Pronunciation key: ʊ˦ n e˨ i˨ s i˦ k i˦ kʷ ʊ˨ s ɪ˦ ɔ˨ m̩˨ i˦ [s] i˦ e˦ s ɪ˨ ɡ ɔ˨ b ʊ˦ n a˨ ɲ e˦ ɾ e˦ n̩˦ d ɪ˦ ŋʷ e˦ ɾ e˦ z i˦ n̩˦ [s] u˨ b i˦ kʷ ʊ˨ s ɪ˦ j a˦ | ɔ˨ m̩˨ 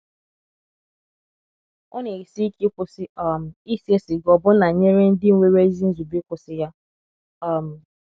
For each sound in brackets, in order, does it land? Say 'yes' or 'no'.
yes, no

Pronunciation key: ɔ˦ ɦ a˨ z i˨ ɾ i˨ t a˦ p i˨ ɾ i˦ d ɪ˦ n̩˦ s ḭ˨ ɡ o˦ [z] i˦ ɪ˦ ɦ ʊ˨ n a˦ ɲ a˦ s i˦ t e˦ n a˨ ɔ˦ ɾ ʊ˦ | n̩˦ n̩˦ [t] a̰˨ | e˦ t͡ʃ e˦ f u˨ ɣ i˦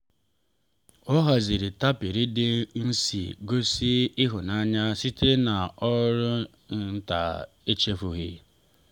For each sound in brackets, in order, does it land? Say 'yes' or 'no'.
no, yes

